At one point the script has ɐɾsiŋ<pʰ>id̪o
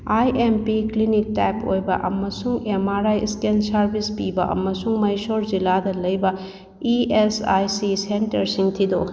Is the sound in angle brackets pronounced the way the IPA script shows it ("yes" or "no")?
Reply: no